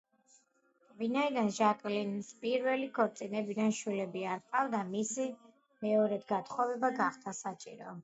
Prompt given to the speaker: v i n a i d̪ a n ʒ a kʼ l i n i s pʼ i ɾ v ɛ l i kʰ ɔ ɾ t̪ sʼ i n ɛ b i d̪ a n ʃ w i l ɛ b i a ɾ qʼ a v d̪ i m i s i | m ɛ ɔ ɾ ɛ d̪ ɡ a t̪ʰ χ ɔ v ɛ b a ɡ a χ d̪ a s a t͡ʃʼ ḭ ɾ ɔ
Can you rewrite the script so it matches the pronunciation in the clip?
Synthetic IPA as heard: v i n a i d̪ a n ʒ a kʼ l i n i s pʼ i ɾ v ɛ l i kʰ ɔ ɾ t̪ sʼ i n ɛ b i d̪ a n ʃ w i l ɛ b i a ɾ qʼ a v d̪ a m i s i | m ɛ ɔ ɾ ɛ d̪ ɡ a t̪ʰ χ ɔ v ɛ b a ɡ a χ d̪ a s a t͡ʃʼ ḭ ɾ ɔ